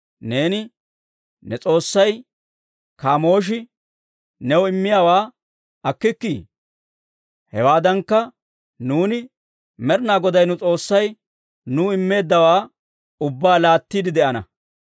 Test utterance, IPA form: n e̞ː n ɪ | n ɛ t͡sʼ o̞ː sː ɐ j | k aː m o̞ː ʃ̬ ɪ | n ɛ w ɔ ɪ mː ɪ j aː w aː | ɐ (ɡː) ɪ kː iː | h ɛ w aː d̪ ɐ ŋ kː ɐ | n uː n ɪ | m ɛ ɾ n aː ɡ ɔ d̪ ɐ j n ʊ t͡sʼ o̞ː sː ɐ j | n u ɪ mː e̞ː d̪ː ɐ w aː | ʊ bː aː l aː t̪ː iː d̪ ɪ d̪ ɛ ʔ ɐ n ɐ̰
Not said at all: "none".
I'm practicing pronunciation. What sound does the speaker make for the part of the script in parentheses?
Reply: kː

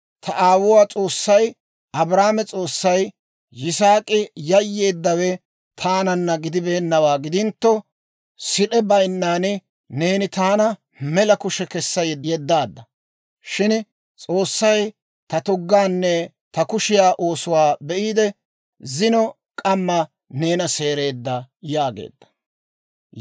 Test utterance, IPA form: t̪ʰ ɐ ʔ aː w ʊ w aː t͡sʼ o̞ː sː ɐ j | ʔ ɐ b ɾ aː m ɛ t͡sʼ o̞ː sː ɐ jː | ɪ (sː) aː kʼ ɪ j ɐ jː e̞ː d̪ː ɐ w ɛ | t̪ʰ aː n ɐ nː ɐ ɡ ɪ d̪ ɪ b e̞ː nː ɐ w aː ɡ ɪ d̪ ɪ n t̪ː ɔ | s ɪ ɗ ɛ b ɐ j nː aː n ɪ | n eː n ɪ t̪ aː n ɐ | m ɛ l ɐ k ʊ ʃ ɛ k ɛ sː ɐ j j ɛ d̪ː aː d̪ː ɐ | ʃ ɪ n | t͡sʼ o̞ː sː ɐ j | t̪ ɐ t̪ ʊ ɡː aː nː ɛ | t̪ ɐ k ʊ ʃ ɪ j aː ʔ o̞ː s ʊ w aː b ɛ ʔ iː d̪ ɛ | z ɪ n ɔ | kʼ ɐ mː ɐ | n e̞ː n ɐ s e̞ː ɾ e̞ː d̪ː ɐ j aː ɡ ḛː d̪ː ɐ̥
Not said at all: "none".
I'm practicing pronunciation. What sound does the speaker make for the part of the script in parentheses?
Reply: s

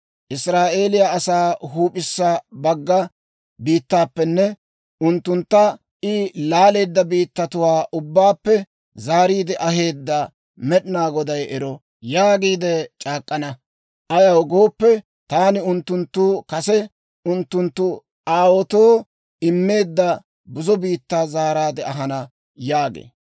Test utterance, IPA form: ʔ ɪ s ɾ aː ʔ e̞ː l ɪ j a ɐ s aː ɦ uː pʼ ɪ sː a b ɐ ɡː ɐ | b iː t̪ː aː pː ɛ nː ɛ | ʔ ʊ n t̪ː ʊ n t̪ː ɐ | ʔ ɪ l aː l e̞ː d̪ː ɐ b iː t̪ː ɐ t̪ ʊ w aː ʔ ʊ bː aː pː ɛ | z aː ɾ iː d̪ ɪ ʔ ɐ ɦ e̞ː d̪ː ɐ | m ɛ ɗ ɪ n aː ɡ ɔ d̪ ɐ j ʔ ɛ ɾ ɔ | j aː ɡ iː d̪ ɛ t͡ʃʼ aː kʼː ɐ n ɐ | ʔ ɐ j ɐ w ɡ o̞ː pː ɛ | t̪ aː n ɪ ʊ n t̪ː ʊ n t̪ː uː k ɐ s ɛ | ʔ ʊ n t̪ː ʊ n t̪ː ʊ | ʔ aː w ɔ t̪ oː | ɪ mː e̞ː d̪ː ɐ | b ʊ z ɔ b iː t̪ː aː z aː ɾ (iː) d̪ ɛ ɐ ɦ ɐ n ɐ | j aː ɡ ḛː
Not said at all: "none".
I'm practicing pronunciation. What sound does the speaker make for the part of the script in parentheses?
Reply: aː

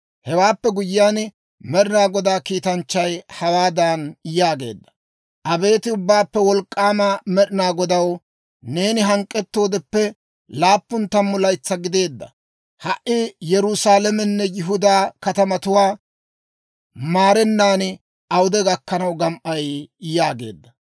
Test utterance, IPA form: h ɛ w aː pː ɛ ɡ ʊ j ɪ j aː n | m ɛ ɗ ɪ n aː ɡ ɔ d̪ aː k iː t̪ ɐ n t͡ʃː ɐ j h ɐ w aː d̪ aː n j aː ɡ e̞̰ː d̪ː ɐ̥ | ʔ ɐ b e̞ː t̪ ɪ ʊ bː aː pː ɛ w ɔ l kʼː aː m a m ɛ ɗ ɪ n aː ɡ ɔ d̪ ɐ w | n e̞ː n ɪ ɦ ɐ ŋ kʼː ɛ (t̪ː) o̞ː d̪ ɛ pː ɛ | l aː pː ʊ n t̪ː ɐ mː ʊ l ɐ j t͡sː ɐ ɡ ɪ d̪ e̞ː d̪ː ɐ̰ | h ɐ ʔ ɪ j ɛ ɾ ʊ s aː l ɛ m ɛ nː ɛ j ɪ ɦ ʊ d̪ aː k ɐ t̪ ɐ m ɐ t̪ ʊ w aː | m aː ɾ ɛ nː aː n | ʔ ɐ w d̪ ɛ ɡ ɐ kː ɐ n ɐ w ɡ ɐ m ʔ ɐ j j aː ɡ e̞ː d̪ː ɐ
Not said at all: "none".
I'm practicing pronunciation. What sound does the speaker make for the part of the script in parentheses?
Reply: t̪ː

